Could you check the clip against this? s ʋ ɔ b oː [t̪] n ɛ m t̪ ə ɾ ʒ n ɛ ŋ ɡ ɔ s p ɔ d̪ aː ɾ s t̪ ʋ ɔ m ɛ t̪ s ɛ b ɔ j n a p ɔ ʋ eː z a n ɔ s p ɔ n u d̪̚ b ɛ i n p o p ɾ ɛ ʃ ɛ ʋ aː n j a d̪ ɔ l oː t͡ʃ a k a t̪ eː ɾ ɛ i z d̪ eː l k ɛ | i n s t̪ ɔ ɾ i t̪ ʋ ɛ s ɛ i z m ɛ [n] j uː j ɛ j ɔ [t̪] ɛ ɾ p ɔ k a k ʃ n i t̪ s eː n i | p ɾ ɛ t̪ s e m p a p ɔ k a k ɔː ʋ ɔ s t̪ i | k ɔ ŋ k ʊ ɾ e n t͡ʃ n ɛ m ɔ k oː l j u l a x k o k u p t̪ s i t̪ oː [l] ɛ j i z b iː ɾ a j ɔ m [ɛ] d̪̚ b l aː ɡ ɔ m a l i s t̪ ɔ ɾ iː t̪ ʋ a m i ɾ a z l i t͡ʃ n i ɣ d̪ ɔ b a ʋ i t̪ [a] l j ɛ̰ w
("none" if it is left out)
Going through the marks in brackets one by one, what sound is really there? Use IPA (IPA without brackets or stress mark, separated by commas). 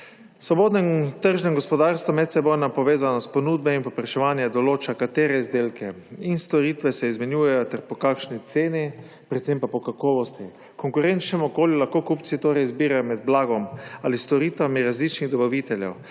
d̪, n, t̪, ɾ, ɛ, ɛ